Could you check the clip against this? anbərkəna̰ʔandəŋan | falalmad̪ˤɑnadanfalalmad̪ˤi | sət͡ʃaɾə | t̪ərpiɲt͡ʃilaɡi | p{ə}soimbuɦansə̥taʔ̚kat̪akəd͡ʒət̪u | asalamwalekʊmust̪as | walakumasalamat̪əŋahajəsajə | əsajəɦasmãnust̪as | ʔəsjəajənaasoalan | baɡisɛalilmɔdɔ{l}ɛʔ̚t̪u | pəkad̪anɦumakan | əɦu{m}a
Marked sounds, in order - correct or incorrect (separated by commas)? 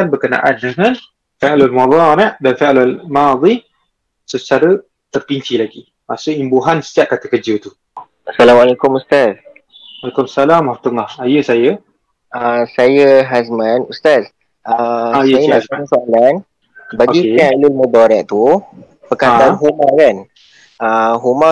incorrect, incorrect, correct